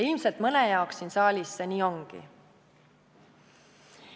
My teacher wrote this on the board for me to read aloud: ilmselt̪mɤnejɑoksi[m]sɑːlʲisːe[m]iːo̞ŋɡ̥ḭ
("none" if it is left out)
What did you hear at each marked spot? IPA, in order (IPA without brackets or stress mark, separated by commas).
n, n